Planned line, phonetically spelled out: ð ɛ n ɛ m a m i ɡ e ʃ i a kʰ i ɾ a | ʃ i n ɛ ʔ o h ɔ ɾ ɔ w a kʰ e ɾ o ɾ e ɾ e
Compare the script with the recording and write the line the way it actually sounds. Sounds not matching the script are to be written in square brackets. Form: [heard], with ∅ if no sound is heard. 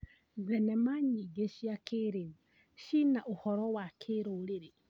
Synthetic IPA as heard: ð ɛ n ɛ m a [ɲ] i ɡ e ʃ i a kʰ [e] ɾ [e] | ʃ i n [a] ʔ o h ɔ ɾ ɔ w a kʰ e ɾ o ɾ e ɾ e